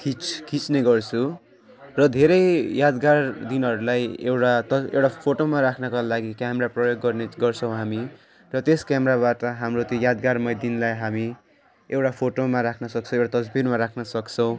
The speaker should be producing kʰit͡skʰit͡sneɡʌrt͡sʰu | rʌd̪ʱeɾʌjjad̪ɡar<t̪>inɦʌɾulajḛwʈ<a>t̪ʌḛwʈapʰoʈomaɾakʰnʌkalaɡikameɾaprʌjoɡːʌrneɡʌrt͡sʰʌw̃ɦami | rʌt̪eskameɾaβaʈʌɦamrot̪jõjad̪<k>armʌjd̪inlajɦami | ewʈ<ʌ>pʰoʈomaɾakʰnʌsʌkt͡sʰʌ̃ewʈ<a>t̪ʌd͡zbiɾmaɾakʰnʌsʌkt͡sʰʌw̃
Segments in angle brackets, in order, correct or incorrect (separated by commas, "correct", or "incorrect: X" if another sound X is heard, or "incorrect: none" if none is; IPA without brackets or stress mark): incorrect: d̪, correct, incorrect: ɡ, incorrect: a, correct